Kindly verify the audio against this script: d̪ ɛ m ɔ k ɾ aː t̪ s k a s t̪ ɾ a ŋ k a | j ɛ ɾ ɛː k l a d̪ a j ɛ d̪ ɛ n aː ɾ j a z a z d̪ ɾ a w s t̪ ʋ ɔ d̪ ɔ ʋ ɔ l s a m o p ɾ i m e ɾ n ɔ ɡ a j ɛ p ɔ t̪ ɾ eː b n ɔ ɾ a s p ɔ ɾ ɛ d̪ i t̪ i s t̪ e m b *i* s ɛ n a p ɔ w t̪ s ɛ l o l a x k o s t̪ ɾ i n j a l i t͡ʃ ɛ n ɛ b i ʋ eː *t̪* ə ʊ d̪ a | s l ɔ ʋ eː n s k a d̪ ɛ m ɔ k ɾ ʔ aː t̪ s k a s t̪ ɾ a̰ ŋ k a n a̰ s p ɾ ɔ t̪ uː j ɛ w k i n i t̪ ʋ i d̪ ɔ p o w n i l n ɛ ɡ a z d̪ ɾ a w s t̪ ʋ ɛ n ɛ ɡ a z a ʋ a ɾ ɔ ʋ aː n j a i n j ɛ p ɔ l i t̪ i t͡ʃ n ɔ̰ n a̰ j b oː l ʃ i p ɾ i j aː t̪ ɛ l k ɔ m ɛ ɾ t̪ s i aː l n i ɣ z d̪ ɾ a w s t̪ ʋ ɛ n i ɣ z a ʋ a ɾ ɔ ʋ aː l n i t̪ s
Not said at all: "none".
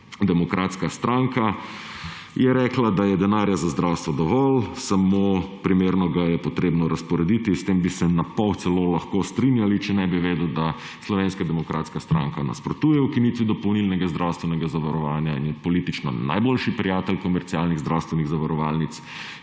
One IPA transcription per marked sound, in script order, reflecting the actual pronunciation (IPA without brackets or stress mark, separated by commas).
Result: i, d̪